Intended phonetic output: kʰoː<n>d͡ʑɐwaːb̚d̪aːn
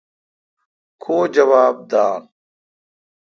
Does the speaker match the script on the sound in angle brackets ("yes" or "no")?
no